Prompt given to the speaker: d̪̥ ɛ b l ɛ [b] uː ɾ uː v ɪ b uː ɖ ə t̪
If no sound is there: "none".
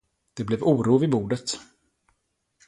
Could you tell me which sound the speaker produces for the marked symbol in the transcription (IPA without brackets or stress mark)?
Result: v